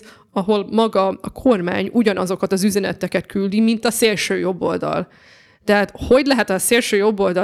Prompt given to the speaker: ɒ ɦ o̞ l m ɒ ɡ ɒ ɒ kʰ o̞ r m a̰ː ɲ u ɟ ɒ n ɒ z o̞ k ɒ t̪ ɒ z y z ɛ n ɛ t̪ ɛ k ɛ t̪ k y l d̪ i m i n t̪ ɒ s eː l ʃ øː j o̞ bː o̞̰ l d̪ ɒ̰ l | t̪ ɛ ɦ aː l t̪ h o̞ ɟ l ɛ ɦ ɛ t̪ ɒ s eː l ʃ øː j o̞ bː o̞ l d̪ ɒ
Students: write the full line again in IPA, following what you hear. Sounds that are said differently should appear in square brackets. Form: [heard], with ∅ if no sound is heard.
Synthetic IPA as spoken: ɒ ɦ o̞ l m ɒ ɡ ɒ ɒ kʰ o̞ r m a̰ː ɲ u ɟ ɒ n ɒ z o̞ k ɒ t̪ ɒ z y z ɛ n ɛ t̪ ɛ k ɛ t̪ k y l d̪ i m i n t̪ ɒ s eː l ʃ øː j o̞ bː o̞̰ l d̪ ɒ̰ l | t̪ ɛ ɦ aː [∅] t̪ h o̞ ɟ l ɛ ɦ ɛ t̪ ɒ s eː l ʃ øː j o̞ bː o̞ l d̪ ɒ